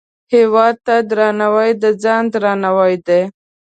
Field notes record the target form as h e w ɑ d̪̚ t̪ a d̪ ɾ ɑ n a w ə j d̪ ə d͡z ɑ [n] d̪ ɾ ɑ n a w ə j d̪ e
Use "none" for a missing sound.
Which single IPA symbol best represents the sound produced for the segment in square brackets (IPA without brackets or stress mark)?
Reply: n